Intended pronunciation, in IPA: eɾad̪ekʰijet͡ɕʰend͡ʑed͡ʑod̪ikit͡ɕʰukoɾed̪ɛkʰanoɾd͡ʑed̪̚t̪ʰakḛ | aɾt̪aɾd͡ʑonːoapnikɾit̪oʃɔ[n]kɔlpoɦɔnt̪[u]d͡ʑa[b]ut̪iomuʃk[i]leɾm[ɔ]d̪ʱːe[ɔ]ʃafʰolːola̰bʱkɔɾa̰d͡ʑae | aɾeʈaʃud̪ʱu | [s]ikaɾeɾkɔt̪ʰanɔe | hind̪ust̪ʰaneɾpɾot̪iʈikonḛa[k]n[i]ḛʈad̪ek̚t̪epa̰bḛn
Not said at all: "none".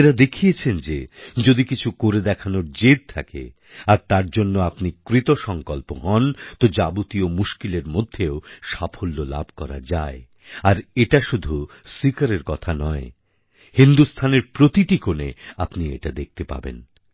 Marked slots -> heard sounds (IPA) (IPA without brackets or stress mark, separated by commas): ŋ, o, b, i, o, o, s, p, i